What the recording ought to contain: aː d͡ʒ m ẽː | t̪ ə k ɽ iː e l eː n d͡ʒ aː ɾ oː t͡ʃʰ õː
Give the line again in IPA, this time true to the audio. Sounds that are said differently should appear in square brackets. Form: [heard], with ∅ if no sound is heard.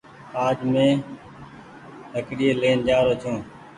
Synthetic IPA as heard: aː d͡ʒ m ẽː | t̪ ə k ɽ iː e l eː n d͡ʒ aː ɾ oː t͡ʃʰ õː

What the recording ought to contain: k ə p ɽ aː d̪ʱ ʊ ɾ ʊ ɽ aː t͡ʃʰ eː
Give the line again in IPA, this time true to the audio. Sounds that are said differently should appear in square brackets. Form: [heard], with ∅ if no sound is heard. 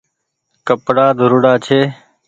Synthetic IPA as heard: k ə p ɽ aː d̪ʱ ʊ ɾ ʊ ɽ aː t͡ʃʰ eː

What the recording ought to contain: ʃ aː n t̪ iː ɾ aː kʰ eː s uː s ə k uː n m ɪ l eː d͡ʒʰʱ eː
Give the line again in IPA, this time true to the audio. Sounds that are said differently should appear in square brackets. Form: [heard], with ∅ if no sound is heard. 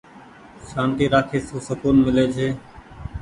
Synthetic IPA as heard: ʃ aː n t̪ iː ɾ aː kʰ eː s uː s ə k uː n m ɪ l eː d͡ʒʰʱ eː

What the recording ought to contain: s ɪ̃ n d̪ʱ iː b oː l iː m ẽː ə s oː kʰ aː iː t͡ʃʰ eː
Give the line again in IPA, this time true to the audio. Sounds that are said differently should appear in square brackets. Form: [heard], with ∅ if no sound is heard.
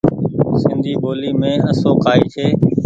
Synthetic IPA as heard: s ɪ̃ n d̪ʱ iː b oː l iː m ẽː ə s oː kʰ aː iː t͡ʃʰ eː

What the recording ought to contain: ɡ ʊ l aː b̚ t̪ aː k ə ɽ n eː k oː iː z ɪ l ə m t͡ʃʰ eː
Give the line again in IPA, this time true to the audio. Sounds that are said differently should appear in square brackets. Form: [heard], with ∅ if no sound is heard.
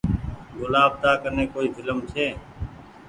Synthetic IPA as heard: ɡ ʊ l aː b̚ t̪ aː k ə [ɾ] n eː k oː iː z ɪ l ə m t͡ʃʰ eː

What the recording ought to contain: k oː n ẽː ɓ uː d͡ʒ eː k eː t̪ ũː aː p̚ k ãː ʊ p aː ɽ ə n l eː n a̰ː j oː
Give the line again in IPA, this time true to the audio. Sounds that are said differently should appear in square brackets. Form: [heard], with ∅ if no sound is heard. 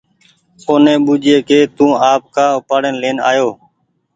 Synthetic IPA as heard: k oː n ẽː ɓ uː d͡ʒ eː k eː t̪ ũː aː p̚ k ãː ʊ p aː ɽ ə n l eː n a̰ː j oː

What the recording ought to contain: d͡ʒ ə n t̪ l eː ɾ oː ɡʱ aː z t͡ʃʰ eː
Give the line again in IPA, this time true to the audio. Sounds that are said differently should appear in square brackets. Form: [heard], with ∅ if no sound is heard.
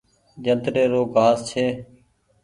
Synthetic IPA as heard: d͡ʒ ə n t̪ [ɾ] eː ɾ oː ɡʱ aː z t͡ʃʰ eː

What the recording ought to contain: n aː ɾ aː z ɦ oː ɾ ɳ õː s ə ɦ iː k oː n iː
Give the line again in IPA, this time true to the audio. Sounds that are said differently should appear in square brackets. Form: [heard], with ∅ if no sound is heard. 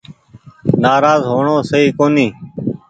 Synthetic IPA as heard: n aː ɾ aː z ɦ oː [∅] ɳ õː s ə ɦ iː k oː n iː

